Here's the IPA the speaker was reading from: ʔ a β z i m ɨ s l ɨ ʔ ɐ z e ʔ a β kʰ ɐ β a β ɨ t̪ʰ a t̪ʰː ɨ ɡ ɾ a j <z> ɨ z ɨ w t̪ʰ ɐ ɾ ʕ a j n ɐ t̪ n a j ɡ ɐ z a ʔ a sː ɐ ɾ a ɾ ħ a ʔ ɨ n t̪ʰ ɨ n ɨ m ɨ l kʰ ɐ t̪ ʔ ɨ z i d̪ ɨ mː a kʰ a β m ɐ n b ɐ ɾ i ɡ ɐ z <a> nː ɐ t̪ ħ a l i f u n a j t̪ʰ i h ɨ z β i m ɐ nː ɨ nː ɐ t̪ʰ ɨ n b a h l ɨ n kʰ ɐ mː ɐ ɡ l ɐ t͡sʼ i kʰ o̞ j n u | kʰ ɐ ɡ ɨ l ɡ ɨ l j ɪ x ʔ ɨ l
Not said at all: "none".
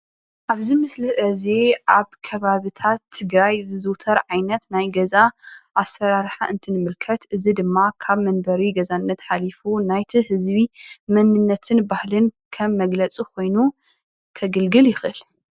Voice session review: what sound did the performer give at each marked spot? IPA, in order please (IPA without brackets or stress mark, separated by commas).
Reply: z, a